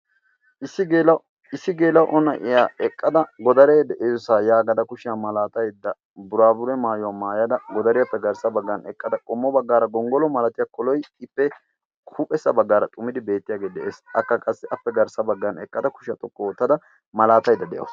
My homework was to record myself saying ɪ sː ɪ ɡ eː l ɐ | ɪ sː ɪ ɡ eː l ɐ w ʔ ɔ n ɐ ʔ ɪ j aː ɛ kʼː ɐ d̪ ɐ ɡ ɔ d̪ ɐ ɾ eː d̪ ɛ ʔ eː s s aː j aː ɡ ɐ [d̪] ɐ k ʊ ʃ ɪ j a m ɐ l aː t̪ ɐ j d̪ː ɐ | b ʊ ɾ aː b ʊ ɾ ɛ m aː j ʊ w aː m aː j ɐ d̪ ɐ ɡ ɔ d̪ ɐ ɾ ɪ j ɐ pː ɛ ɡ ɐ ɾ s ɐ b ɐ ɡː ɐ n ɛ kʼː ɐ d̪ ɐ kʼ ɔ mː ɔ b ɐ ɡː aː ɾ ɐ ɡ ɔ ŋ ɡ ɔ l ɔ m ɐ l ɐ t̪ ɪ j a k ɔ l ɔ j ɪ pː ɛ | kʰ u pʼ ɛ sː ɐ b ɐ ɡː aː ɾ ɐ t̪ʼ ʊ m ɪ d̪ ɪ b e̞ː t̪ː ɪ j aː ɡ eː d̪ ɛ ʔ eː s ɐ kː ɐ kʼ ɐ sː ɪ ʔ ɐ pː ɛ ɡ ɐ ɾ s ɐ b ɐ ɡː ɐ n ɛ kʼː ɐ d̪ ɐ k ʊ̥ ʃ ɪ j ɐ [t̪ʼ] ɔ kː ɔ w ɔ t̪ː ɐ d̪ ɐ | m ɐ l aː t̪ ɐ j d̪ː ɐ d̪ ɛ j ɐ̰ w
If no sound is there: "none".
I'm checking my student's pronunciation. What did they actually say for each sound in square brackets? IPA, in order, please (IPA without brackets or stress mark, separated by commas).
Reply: d̪, t̪